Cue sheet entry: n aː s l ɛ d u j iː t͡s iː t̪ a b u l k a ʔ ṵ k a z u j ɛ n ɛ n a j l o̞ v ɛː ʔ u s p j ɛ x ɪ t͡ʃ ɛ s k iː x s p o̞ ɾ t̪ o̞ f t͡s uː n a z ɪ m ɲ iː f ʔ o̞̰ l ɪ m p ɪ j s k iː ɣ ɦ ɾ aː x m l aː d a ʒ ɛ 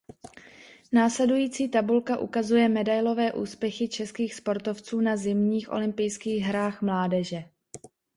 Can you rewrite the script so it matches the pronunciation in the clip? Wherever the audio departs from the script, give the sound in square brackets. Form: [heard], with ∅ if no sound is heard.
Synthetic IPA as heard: n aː s l ɛ d u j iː t͡s iː t̪ a b u l k a ʔ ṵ k a z u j ɛ [m] ɛ [d] a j l o̞ v ɛː ʔ [uː] s p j ɛ x ɪ t͡ʃ ɛ s k iː x s p o̞ ɾ t̪ o̞ f t͡s uː n a z ɪ m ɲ iː [x] ʔ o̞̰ l ɪ m p ɪ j s k iː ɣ ɦ ɾ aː x m l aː d [ɛ] ʒ ɛ